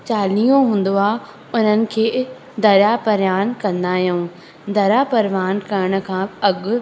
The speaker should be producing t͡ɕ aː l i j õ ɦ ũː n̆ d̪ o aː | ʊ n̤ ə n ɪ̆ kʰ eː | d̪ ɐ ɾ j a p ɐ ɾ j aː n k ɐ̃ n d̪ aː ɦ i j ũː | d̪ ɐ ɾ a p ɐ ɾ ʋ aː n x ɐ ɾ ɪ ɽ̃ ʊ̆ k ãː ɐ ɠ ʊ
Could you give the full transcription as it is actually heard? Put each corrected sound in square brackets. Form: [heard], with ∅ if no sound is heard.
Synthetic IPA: t͡ɕ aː l i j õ ɦ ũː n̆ d̪ o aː | ʊ n̤ ə n ɪ̆ kʰ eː | d̪ ɐ ɾ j a p ɐ ɾ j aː n k ɐ̃ n d̪ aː ɦ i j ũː | d̪ ɐ ɾ a p ɐ ɾ ʋ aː n [k] ɐ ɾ ɪ ɽ̃ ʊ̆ [kʰ] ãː ɐ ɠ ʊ